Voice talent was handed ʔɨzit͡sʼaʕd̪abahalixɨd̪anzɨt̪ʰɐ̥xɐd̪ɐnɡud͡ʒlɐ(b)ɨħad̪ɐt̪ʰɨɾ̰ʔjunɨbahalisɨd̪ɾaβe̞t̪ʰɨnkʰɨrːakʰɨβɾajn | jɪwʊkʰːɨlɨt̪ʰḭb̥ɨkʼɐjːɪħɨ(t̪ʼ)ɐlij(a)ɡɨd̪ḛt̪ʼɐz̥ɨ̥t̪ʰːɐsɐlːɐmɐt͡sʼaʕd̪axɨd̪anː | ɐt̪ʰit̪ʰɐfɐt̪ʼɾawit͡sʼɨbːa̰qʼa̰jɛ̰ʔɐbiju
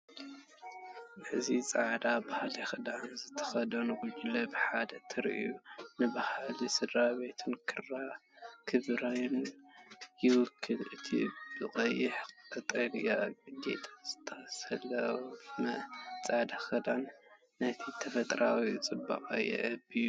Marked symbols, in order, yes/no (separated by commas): yes, yes, yes